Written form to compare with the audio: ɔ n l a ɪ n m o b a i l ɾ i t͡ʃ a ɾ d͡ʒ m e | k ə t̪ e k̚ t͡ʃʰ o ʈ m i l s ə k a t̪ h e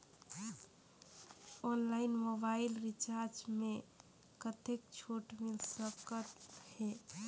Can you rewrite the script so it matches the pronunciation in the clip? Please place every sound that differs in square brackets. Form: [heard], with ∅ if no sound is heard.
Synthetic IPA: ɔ n l a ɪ n m o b a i l ɾ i t͡ʃ a ɾ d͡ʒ m e | k ə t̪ e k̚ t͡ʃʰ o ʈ m i l s ə k [ə] t̪ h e